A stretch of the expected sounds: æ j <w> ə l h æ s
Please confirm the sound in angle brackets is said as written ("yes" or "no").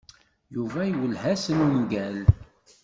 yes